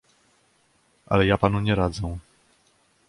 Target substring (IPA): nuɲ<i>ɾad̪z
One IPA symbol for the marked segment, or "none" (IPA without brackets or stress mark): ɛ